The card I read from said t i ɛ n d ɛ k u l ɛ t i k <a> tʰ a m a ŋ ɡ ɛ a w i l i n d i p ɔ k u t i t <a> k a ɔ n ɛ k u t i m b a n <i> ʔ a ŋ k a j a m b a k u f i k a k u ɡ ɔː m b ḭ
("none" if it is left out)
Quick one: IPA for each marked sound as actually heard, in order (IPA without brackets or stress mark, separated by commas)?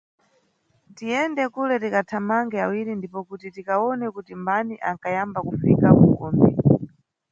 a, i, i